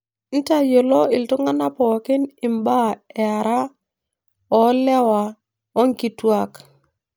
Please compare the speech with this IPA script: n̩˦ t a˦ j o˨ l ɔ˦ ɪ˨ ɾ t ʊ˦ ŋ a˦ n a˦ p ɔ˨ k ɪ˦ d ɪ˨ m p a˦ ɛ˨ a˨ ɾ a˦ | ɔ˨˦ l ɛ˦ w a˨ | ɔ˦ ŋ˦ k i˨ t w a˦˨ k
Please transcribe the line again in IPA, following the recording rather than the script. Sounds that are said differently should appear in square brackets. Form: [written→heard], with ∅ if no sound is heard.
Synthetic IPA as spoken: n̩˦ t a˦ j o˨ l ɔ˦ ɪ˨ [ɾ→l] t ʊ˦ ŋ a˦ n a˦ p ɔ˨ k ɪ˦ [d→n] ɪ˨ m [p→b] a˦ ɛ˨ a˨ ɾ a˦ | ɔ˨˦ l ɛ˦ w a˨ | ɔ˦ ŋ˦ k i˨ t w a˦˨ k